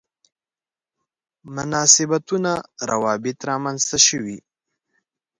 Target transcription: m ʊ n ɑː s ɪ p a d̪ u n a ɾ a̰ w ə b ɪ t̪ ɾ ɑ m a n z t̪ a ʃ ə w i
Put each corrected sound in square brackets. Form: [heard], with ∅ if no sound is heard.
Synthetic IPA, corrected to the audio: m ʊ n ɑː s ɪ [b] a [t̪] u n a ɾ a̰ w [ɑ] b ɪ t̪ ɾ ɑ m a n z t̪ a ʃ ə w i